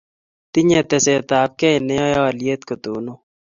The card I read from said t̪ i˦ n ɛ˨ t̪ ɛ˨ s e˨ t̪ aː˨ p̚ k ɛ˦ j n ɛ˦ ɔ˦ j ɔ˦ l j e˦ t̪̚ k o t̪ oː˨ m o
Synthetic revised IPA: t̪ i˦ ɲ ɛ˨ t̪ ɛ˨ s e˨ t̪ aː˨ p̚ k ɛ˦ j n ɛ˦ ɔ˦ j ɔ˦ l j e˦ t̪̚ k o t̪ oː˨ n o